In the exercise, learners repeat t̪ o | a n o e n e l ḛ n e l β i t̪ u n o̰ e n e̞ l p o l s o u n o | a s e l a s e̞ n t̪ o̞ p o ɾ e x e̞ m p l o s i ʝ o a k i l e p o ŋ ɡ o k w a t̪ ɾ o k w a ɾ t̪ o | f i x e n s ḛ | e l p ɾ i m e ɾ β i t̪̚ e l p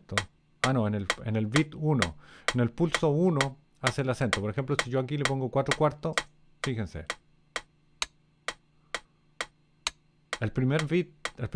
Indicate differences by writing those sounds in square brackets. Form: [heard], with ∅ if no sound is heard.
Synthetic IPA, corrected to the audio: t̪ o | a n o e n e l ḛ n e l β i t̪ u n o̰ e n e̞ l p [u] l s o u n o | a s e l a s e̞ n t̪ o̞ p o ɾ e x e̞ m p l o s i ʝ o a k i l e p o ŋ ɡ o k w a t̪ ɾ o k w a ɾ t̪ o | f i x e n s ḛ | e l p ɾ i m e ɾ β i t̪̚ e l p